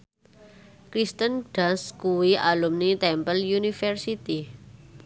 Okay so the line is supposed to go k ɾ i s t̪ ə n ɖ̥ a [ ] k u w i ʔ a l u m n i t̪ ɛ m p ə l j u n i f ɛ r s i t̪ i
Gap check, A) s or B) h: A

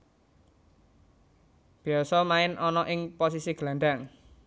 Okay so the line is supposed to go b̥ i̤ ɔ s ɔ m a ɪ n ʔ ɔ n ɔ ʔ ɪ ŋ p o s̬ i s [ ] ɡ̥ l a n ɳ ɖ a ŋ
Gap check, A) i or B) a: A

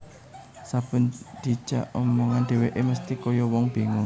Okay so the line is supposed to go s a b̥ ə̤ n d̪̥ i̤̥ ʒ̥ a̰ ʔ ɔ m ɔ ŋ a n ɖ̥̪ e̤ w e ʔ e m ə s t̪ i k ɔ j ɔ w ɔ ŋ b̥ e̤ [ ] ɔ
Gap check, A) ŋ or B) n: A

